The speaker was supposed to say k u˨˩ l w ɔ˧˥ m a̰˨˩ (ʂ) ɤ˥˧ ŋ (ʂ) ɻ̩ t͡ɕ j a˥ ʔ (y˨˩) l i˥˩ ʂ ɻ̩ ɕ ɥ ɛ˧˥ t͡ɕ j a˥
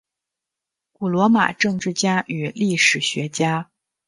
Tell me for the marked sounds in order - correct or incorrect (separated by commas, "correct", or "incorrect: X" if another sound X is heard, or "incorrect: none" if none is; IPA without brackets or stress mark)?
incorrect: ʈ͡ʂ, incorrect: ʈ͡ʂ, correct